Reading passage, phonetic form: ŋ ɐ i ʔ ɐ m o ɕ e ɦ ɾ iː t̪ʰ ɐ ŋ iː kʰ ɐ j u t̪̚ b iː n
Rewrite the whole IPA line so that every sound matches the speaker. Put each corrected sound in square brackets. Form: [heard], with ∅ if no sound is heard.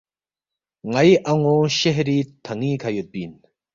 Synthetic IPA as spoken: ŋ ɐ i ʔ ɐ [ŋ] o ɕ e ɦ ɾ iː t̪ʰ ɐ ŋ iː kʰ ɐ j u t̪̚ b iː n